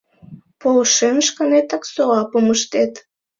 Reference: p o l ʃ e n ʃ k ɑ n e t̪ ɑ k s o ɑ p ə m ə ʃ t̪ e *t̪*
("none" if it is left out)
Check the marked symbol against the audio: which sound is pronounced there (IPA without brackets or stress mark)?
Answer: t̪